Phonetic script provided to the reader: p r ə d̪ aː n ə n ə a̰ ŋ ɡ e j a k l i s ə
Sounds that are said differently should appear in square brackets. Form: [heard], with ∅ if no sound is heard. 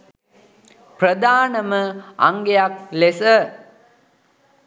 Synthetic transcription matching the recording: p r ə d̪ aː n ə [m] ə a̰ ŋ ɡ e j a k l [e] s ə